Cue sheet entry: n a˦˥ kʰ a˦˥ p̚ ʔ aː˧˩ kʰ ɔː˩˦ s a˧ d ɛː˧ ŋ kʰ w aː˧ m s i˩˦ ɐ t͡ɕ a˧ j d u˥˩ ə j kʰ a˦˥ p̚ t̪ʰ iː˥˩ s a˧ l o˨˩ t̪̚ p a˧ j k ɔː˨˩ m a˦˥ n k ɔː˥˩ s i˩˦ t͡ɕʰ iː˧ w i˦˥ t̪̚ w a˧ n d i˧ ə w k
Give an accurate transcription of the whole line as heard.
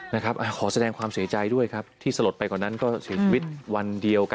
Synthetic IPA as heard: n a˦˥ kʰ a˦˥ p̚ ʔ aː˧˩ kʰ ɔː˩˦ s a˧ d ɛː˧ ŋ kʰ w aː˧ m s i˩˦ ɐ t͡ɕ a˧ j d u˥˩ ə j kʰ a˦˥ p̚ t̪ʰ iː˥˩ s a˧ l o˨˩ t̪̚ p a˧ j k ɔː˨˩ n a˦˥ n k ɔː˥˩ s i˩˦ t͡ɕʰ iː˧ w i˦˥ t̪̚ w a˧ n d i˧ ə w k